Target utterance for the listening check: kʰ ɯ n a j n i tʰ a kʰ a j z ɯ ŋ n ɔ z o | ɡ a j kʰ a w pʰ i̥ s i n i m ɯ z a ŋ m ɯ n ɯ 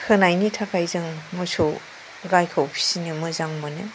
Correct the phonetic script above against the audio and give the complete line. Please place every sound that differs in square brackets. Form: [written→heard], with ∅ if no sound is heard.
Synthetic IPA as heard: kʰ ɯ n a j n i tʰ a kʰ a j z ɯ ŋ [n→m] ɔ [z→s] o | ɡ a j kʰ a w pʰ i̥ s i n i m ɯ z a ŋ m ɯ n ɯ